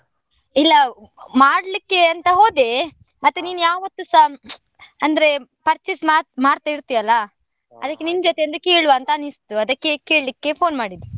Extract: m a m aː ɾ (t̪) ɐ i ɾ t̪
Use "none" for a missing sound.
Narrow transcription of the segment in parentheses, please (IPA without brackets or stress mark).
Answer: t̪